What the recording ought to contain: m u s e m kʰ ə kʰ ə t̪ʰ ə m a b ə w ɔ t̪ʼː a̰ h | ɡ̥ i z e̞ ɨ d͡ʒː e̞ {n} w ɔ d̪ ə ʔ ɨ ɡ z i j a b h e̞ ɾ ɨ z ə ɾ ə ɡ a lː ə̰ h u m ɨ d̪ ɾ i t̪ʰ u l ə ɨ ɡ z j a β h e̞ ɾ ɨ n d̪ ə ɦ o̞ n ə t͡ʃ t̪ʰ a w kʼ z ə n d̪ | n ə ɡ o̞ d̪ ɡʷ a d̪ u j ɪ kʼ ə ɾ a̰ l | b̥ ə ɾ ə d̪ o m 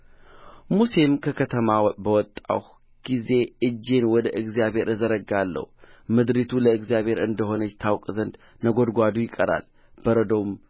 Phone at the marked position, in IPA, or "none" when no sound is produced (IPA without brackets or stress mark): n